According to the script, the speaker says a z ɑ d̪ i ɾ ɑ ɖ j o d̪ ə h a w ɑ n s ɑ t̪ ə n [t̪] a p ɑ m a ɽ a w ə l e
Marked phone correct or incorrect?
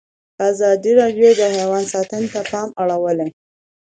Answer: correct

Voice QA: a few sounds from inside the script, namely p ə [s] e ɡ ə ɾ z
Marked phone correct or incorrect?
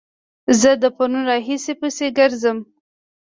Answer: correct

